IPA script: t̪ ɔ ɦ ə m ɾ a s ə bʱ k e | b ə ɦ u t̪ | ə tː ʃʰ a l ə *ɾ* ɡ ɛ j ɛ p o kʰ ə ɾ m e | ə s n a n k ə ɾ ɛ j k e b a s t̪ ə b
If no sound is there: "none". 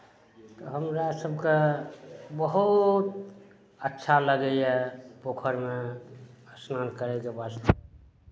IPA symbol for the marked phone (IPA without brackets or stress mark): none